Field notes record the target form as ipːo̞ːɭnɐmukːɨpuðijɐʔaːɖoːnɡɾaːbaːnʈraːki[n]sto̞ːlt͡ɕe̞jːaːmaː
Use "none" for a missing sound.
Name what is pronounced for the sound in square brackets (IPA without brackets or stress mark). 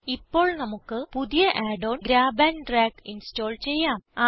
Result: n